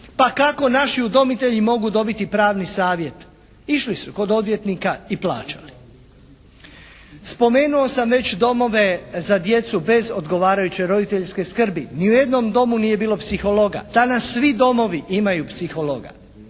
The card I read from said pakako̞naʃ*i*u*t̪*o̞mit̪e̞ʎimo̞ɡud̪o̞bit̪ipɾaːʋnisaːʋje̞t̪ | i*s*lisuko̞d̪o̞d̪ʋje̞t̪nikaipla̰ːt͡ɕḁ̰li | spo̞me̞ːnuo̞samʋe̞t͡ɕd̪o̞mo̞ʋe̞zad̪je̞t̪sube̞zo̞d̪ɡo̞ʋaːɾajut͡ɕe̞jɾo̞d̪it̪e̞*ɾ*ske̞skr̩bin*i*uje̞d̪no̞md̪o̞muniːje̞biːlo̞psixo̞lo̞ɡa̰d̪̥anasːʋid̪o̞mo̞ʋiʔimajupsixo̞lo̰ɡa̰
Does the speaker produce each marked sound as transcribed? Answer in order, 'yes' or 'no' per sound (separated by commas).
yes, no, no, no, yes